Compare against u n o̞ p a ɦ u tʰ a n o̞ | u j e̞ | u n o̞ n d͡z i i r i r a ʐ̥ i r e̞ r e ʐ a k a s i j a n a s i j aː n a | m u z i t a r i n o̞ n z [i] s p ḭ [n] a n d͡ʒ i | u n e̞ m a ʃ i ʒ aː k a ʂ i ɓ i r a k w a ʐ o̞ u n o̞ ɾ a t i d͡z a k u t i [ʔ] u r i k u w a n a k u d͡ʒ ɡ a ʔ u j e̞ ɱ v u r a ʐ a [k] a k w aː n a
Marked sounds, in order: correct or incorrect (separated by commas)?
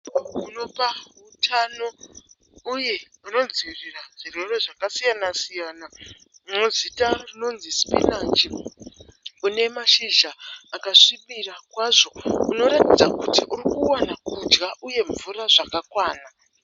correct, correct, correct, correct